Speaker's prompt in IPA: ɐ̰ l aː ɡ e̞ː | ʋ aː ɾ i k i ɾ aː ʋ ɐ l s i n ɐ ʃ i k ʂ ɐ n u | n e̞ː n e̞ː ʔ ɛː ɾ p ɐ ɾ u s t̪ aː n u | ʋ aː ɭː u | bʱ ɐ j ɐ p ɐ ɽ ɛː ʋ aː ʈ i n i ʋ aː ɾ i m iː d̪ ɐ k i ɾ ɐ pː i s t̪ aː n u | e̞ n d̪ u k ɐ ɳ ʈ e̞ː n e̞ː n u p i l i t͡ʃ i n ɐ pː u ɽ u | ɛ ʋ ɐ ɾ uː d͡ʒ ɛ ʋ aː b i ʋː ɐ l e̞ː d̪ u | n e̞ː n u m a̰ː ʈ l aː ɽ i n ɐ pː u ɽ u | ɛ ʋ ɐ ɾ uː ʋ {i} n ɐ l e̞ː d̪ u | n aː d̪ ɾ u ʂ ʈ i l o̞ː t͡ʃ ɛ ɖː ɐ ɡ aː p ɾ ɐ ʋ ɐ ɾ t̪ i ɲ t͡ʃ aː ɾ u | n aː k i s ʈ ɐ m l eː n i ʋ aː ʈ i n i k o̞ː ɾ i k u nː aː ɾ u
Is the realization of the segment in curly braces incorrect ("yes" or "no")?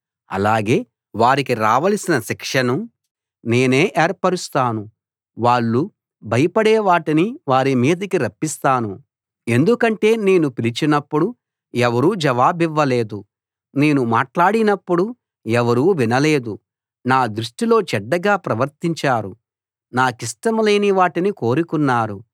no